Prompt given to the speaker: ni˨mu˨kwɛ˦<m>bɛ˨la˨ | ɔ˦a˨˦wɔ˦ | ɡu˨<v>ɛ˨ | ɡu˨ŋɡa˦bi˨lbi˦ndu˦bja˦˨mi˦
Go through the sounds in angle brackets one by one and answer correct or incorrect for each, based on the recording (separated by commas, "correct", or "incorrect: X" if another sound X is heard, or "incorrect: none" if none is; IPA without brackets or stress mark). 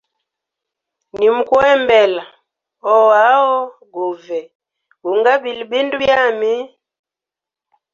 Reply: correct, correct